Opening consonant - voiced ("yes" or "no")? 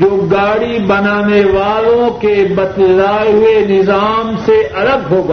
yes